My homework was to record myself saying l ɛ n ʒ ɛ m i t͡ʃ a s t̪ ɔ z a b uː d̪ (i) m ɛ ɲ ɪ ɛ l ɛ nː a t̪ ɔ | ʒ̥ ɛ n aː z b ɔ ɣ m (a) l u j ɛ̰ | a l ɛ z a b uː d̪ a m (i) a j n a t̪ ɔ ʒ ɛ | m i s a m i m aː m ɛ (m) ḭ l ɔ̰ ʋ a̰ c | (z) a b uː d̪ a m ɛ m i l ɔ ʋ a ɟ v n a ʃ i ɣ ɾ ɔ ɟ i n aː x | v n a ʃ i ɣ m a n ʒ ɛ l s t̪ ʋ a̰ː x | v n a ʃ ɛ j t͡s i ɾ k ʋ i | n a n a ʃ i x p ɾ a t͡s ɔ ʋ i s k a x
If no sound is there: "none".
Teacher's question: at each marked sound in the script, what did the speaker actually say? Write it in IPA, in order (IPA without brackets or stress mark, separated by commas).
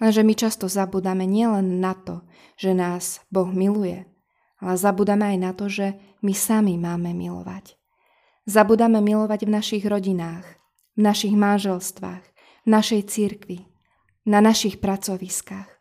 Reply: a, i, ɛ, m, z